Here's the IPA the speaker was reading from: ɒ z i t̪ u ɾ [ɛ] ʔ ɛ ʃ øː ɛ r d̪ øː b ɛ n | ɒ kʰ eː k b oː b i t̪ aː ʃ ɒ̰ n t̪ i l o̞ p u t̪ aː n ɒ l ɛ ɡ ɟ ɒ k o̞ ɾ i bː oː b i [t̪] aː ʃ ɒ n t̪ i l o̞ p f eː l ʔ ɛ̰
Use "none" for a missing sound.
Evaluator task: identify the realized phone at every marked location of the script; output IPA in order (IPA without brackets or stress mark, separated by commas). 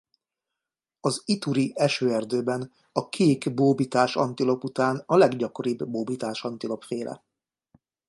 i, t̪